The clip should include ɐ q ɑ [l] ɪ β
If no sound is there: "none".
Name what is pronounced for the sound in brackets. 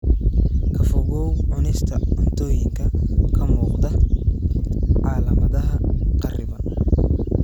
r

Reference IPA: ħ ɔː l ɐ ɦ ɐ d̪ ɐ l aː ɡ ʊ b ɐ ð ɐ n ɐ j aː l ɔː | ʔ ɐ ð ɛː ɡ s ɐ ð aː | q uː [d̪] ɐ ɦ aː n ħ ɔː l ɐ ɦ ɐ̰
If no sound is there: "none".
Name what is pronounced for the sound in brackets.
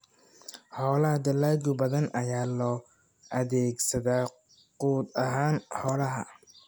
d̪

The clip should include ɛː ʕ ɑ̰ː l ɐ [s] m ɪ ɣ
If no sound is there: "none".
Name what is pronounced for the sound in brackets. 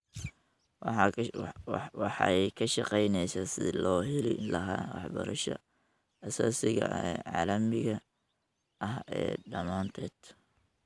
none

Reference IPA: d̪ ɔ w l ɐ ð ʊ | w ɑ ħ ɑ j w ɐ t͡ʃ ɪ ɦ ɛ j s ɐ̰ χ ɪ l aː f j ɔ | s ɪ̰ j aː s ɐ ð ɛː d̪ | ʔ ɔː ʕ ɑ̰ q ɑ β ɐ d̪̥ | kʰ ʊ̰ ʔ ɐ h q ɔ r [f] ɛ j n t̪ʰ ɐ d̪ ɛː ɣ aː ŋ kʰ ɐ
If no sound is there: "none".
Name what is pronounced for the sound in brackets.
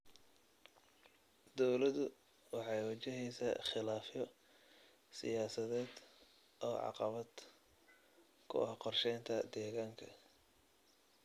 ʃ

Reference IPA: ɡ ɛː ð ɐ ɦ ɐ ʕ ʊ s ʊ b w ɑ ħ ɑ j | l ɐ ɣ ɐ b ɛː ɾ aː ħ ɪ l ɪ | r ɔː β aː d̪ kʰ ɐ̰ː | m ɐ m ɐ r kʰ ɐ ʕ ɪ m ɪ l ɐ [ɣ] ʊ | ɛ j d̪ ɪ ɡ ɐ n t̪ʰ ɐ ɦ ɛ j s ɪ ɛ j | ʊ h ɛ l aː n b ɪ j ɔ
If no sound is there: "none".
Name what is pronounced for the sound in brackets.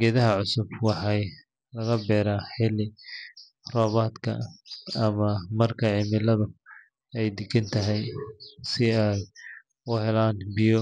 ð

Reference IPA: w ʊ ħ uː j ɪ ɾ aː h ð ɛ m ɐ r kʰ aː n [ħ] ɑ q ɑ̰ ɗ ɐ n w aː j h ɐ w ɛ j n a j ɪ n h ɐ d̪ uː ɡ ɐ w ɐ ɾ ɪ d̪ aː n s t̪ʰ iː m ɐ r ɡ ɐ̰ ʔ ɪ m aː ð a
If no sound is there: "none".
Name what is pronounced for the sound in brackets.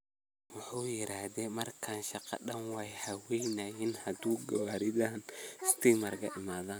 ʃ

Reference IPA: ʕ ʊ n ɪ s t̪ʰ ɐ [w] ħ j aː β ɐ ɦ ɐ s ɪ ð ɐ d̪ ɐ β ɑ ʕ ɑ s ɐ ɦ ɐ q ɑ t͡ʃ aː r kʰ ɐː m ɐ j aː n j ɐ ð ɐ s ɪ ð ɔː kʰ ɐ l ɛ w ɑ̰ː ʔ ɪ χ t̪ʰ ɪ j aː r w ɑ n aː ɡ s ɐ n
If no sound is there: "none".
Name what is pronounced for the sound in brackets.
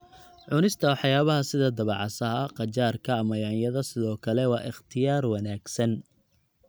w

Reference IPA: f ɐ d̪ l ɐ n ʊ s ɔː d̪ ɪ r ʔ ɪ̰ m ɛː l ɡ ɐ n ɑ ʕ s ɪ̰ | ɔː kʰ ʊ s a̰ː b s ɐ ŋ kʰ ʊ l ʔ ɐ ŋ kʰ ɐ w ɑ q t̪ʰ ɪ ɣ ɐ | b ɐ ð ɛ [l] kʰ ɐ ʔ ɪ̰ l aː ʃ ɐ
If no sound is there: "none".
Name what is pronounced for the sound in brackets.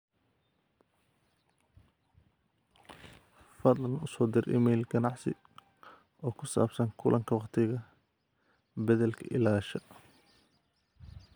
l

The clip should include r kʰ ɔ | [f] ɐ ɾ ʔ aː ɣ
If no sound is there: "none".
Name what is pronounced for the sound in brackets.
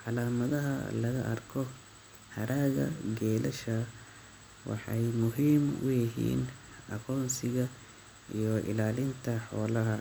h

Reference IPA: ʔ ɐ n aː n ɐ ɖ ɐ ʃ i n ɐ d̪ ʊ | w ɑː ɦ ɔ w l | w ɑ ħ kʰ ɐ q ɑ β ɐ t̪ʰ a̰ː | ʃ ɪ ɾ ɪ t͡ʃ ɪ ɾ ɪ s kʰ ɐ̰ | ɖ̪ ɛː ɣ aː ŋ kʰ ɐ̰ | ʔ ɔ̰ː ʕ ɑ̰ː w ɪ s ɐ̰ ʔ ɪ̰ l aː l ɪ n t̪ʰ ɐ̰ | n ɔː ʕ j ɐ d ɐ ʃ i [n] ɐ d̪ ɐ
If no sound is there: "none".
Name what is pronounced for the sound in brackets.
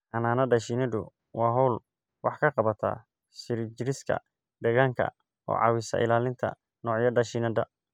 n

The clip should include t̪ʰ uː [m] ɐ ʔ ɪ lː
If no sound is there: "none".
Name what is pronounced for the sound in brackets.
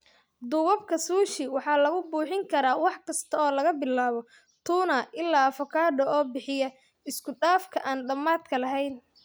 n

